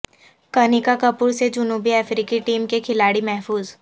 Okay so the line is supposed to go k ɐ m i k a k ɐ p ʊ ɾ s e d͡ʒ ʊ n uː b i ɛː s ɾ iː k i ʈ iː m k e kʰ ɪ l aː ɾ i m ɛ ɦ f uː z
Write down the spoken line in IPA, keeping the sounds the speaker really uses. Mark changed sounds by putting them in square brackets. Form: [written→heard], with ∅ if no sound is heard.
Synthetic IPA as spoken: k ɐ [m→n] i k a k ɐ p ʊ ɾ s e d͡ʒ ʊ n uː b i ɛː [s→f] ɾ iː k i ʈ iː m k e kʰ ɪ l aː [ɾ→ɽ] i m ɛ ɦ f uː z

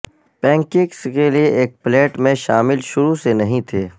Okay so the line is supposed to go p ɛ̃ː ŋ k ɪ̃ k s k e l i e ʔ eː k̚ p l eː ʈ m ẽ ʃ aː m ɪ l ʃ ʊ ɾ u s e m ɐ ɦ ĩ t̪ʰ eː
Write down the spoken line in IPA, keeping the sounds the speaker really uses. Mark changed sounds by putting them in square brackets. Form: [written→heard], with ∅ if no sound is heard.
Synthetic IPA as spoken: p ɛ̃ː ŋ k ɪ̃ k s k e l i e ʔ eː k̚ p l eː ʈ m ẽ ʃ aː m ɪ l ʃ ʊ ɾ u s e [m→n] ɐ ɦ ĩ t̪ʰ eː

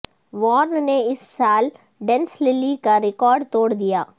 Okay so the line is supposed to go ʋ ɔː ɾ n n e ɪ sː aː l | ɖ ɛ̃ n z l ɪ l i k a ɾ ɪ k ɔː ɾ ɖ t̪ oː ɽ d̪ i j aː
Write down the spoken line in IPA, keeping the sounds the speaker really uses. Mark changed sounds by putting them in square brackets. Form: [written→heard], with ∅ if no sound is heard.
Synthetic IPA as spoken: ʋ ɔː ɾ n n e ɪ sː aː l | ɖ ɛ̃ n [z→s] l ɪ l i k a ɾ ɪ k ɔː ɾ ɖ t̪ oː ɽ d̪ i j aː

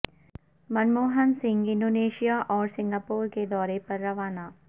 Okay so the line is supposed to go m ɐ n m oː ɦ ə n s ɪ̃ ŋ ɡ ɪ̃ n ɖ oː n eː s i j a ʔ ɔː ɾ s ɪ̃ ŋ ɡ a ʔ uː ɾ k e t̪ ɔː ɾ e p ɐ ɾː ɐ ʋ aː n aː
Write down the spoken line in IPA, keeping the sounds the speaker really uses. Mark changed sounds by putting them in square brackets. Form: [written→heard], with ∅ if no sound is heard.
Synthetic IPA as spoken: m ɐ n m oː ɦ ə n s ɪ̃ ŋ ɡ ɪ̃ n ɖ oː n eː [s→ʃ] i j a ʔ ɔː ɾ s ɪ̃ ŋ ɡ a [ʔ→p] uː ɾ k e [t̪→d̪] ɔː ɾ e p ɐ ɾː ɐ ʋ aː n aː

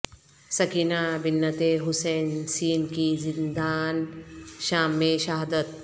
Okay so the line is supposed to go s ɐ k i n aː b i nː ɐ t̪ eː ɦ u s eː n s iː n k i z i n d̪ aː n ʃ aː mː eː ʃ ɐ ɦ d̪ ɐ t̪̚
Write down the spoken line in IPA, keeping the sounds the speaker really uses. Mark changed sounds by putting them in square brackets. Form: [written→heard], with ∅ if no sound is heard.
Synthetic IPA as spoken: s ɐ k i n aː b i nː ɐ t̪ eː ɦ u s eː n s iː n k i z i n d̪ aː n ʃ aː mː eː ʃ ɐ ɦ d̪ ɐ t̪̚

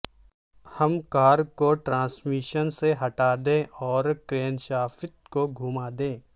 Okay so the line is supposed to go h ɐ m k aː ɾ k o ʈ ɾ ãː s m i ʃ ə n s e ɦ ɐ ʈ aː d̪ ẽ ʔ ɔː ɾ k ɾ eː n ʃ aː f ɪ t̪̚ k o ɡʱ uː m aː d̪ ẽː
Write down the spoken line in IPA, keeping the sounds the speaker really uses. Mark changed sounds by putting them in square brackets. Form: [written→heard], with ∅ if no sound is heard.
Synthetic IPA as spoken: h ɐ m k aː ɾ k o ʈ ɾ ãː s m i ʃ ə n s e ɦ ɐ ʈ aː d̪ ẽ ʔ ɔː ɾ k ɾ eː n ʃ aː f ɪ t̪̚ k o ɡʱ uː m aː d̪ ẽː

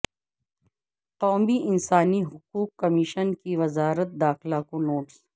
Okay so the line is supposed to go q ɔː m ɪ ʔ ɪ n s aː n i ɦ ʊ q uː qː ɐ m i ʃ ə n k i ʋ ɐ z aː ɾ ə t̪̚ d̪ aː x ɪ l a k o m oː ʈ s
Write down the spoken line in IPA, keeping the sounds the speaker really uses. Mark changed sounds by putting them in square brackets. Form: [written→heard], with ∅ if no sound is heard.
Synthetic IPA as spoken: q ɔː m [ɪ→i] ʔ ɪ n s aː n i ɦ ʊ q uː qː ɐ m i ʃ ə n k i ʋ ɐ z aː ɾ ə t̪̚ d̪ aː x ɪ l a k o [m→n] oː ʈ s

